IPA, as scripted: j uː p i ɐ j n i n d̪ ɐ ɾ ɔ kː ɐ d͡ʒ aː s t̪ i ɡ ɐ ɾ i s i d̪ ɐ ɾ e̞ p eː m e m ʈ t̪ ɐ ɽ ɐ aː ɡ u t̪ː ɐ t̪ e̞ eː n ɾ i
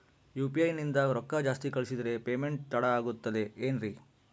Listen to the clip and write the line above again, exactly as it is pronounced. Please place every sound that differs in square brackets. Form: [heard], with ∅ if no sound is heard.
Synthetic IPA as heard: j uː p i ɐ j n i n d̪ ɐ ɾ ɔ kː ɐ d͡ʒ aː s t̪ i [k] ɐ [ɭ] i s i d̪ ɐ ɾ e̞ p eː m e [ɳ] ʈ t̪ ɐ ɽ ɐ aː ɡ u t̪ː ɐ [d̪] e̞ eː n ɾ i